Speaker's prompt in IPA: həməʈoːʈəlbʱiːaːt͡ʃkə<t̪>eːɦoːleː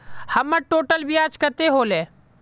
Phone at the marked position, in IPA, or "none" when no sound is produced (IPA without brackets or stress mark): t̪